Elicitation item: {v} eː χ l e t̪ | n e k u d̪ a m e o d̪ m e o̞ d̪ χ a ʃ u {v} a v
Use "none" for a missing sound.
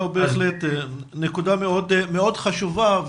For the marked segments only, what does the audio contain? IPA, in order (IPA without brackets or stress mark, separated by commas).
b, v